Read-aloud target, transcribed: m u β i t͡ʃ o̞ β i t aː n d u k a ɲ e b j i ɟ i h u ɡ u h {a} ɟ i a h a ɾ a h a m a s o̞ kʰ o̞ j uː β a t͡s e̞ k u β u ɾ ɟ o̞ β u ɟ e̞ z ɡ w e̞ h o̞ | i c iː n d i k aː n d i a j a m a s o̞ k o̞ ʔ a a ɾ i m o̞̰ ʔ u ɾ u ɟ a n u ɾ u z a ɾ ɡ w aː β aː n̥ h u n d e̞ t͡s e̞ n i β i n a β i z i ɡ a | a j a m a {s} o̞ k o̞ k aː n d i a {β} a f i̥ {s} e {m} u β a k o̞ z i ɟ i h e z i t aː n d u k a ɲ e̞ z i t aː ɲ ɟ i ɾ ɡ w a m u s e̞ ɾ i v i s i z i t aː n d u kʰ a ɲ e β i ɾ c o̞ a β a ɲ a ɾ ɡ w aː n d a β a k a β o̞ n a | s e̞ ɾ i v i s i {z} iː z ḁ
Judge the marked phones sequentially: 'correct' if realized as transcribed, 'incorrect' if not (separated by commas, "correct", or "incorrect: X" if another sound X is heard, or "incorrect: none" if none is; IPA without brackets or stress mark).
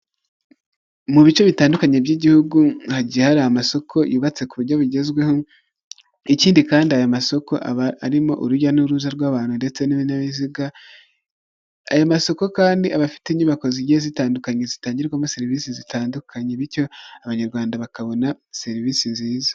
correct, correct, correct, incorrect: t, incorrect: ɲ, correct